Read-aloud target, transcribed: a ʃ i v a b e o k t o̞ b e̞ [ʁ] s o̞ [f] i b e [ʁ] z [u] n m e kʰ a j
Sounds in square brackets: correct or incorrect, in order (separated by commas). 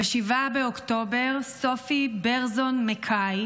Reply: correct, correct, correct, incorrect